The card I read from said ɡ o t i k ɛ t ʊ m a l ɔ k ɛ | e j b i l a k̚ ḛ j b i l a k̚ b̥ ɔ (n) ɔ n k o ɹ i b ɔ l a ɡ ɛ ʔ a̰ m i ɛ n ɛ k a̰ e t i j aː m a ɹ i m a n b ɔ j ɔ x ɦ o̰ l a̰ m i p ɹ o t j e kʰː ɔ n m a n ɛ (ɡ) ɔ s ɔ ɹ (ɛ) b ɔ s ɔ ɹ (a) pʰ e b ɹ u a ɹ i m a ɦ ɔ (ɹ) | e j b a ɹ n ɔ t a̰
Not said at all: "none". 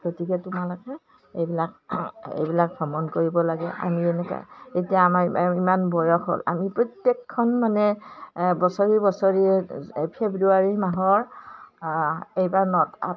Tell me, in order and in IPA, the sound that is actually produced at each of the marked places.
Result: m, b, i, i, ɹ

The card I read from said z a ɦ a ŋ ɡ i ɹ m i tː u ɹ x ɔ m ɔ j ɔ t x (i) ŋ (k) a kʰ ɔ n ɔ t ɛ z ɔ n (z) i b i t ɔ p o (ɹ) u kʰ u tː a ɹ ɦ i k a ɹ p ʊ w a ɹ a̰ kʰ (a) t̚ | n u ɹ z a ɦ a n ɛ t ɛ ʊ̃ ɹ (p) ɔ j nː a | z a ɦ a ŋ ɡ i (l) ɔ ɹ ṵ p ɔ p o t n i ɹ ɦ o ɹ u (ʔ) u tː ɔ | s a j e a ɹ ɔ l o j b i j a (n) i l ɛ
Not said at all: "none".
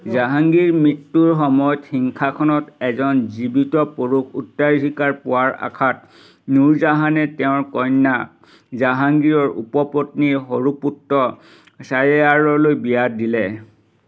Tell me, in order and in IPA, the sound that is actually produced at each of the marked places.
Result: i, kʰ, z, ɹ, a, k, ɹ, p, d

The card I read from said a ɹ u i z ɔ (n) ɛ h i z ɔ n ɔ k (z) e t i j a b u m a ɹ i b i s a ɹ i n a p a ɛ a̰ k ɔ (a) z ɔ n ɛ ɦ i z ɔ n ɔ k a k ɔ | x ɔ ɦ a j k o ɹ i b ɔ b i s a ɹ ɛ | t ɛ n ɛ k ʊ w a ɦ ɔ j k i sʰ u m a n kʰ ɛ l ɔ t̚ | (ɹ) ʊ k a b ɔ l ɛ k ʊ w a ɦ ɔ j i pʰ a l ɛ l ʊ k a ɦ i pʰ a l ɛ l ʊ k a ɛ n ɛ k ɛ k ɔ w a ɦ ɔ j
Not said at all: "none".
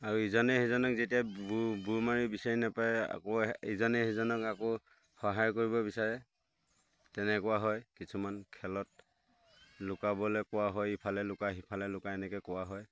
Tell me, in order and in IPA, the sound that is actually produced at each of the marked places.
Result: n, z, i, l

